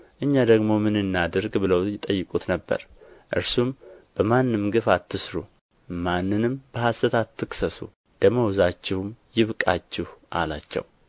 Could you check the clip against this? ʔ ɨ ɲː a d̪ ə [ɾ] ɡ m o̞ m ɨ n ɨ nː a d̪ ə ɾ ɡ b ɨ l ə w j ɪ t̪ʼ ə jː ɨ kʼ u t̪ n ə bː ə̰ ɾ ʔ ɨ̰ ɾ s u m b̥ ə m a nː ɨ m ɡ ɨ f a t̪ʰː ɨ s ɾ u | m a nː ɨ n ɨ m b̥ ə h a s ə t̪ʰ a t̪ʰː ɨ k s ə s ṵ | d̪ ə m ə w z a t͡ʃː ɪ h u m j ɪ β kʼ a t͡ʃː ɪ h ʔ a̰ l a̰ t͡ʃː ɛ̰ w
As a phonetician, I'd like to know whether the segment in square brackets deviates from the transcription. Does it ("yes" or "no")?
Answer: yes